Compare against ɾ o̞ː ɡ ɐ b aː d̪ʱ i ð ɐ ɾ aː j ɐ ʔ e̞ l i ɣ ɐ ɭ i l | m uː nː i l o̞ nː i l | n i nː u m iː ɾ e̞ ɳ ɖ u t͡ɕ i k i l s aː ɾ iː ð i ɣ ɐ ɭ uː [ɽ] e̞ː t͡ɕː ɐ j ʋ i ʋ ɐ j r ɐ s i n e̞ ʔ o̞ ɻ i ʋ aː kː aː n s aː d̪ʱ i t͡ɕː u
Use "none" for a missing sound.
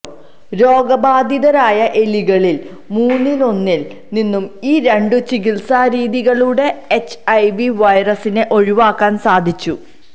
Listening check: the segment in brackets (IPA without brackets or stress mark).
ɽ